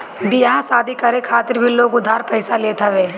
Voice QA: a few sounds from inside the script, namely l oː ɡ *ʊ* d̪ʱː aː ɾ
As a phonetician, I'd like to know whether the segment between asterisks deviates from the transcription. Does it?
no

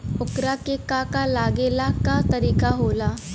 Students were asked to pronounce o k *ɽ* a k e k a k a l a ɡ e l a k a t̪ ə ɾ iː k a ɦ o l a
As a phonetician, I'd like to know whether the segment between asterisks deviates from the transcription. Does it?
yes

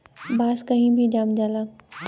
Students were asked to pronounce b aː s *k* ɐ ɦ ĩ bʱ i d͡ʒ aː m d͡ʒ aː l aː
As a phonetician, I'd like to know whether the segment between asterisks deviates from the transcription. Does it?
no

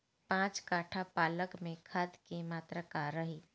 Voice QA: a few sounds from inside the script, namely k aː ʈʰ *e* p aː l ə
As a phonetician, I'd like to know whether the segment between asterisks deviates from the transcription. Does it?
yes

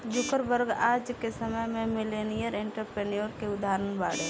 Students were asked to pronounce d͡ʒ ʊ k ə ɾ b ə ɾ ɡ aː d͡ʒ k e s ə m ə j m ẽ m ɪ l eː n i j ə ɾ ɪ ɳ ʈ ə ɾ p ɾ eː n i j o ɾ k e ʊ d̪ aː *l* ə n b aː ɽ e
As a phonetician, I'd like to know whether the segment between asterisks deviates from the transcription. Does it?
yes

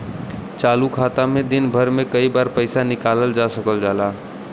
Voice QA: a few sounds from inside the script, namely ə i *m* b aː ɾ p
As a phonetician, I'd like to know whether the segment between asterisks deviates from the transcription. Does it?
yes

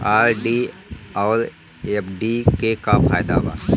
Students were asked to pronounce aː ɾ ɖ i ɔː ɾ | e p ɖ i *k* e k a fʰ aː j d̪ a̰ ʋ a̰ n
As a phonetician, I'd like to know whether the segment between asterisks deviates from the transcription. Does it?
no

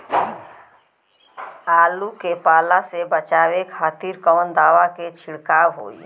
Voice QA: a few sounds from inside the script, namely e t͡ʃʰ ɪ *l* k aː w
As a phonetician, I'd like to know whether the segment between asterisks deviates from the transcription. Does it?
yes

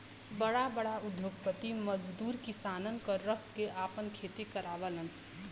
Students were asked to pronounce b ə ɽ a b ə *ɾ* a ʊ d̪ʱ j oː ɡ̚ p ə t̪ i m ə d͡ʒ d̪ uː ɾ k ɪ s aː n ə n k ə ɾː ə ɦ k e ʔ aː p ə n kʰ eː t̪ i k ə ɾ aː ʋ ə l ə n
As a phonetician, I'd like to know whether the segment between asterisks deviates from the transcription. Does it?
yes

